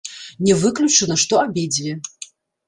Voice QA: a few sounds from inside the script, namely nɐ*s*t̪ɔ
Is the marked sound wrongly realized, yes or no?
yes